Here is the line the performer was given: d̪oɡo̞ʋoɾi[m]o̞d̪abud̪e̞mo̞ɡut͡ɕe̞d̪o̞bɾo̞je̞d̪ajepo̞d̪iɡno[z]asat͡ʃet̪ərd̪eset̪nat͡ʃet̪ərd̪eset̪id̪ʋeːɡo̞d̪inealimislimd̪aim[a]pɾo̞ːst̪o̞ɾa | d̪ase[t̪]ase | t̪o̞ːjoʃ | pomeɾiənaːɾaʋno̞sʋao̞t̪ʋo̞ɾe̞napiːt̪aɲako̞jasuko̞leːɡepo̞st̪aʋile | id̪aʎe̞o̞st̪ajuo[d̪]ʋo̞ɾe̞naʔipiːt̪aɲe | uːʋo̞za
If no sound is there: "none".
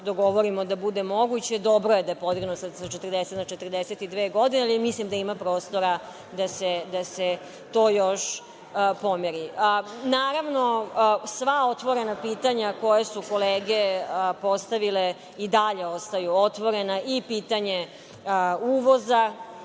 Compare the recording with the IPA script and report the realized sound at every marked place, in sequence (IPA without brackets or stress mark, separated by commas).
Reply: m, s, a, d̪, t̪